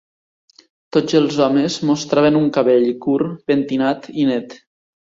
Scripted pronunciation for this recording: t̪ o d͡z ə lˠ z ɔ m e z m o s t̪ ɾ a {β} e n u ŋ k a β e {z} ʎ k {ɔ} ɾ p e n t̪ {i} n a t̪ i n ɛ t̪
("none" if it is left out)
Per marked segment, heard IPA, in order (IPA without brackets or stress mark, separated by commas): β, none, u, i